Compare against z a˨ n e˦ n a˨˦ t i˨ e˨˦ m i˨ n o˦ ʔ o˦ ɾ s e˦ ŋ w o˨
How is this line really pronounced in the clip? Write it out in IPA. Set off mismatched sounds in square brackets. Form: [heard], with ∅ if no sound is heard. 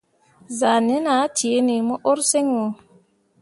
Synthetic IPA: z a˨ n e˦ n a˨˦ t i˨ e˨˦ [n] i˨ [m] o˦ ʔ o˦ ɾ s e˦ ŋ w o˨

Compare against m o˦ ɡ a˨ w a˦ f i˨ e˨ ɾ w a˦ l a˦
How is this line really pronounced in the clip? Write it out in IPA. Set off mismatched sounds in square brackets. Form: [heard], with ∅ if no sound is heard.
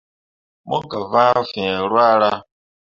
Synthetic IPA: m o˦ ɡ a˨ [v] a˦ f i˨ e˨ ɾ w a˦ [ɾ] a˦

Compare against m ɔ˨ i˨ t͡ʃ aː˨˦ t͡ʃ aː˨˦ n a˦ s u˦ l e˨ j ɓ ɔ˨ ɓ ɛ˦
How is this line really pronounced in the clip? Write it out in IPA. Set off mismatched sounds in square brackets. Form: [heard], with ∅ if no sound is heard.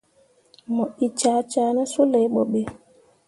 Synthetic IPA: m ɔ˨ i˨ t͡ʃ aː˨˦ t͡ʃ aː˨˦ n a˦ s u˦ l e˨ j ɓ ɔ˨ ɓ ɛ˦

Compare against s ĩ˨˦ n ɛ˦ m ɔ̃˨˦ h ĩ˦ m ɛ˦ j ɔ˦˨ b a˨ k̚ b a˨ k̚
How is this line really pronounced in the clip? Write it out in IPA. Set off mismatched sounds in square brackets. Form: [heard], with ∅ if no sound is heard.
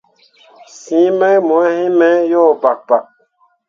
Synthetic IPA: s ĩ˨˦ [m] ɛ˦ m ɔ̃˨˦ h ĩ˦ m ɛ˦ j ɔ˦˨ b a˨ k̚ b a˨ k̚

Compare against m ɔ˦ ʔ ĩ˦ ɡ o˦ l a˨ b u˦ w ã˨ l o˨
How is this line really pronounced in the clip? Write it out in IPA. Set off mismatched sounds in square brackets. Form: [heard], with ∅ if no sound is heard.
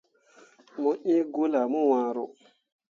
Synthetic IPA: m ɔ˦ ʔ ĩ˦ ɡ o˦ l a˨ [m] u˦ w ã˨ [ɾ] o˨

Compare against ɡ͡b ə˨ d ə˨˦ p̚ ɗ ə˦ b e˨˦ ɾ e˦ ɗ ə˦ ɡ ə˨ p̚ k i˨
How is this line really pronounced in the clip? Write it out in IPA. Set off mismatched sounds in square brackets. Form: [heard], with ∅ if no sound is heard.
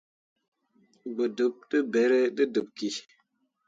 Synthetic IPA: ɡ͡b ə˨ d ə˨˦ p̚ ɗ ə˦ b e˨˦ ɾ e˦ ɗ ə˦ [d] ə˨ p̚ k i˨

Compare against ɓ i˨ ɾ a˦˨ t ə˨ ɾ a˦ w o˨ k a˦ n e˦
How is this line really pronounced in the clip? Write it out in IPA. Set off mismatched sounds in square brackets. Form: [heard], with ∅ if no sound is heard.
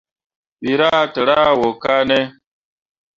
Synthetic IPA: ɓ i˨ ɾ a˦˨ t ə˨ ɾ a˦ w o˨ k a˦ n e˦

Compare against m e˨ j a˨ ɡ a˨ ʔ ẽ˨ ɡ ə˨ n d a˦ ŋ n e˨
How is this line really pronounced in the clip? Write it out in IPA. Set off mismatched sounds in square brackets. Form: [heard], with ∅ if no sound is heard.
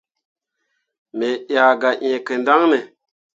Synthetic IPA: m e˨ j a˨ ɡ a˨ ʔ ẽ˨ [k] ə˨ n d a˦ ŋ n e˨

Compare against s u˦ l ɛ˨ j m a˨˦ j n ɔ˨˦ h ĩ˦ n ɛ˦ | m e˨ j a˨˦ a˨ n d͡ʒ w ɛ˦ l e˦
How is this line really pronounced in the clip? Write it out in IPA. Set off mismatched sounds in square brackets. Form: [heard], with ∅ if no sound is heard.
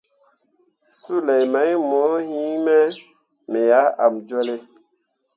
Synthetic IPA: s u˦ l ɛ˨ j m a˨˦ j [m] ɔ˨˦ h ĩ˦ [m] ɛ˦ | m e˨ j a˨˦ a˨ [m] d͡ʒ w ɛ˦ l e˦

